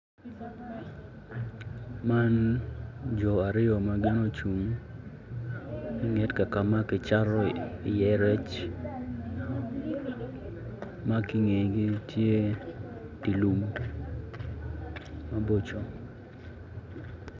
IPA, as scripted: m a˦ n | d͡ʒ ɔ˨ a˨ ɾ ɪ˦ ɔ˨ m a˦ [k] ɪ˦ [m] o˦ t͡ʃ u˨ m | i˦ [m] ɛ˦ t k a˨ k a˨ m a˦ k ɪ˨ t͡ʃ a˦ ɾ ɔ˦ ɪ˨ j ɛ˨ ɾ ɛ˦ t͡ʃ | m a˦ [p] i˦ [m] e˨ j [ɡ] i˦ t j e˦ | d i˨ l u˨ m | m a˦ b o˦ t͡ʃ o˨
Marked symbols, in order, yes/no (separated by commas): no, no, no, no, no, yes